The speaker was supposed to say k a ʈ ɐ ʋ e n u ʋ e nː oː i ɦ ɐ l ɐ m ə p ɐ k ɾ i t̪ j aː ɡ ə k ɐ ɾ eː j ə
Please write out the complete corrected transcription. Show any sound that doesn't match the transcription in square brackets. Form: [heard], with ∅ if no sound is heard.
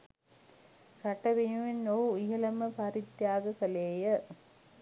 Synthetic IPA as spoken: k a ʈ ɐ ʋ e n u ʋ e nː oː i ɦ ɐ l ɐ m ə p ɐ [∅] ɾ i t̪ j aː ɡ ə k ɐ [l] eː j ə